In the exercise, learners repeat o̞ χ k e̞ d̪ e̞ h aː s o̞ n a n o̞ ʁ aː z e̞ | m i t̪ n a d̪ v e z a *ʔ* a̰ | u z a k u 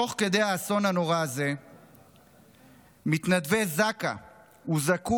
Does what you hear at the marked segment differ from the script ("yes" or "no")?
yes